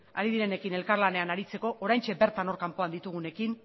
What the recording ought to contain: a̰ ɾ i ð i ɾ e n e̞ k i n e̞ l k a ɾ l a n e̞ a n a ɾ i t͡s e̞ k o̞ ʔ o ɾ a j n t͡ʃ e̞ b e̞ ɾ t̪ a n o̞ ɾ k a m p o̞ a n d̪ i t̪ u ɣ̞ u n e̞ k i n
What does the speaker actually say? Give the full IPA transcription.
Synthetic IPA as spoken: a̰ ɾ i ð i ɾ e n e̞ k i n e̞ l k a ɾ l a n e̞ a n a ɾ i t͡s e̞ k o̞ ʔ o ɾ a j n t͡ʃ e̞ b e̞ ɾ t̪ a n o̞ ɾ k a m p o̞ a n d̪ i t̪ u ɣ̞ u n e̞ k i n